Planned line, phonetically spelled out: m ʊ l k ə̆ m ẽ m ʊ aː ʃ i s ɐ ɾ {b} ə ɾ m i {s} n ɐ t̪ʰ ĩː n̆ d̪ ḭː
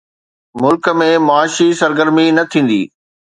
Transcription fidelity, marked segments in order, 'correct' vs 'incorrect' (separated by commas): incorrect, incorrect